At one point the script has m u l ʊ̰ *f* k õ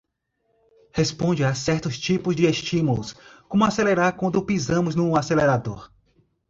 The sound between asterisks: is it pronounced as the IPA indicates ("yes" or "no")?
no